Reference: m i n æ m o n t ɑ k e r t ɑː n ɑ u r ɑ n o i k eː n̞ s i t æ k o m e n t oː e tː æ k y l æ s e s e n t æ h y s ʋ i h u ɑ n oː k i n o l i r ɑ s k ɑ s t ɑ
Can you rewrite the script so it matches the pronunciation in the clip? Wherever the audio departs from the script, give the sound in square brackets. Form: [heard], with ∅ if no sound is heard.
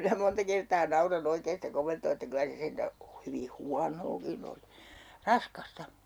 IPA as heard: m i n æ m o n t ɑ k e r t ɑː n ɑ u r ɑ n o i k eː n̞ s i t æ k o m e n t oː e tː æ k y l æ s e s e n t æ h y [∅] ʋ i h u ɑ n oː k i n o l i r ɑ s k ɑ s t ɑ